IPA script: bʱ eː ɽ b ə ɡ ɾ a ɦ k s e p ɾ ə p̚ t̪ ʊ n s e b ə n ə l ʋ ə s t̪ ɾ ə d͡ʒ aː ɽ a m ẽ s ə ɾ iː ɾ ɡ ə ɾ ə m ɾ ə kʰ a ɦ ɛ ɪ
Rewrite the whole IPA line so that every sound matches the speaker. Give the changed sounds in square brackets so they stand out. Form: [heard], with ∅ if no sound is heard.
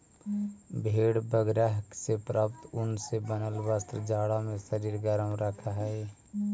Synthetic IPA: bʱ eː ɽ b ə ɡ ɾ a ɦ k s e p ɾ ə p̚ t̪ ʊ n s e b ə n ə l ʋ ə s t̪ ɾ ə d͡ʒ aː ɽ a m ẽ s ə ɾ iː ɾ ɡ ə ɾ ə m ɾ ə kʰ a ɦ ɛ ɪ